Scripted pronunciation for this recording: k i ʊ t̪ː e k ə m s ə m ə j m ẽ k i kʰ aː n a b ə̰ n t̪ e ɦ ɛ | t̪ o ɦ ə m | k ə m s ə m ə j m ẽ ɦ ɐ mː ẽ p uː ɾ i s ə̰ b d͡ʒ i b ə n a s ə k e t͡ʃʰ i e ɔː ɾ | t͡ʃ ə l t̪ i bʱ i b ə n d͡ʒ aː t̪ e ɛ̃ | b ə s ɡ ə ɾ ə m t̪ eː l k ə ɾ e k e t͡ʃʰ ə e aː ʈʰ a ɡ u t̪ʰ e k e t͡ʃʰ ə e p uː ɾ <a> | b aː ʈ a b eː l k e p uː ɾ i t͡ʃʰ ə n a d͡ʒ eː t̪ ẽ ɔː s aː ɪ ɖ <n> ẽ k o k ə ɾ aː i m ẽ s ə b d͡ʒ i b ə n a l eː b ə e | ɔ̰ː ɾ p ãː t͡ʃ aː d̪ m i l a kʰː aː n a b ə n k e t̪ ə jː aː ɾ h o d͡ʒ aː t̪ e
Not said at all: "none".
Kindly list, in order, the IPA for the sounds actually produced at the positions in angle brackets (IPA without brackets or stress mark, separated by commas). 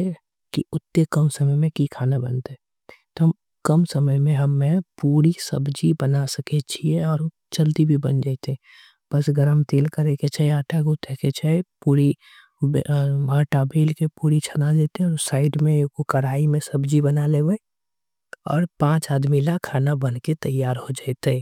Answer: i, m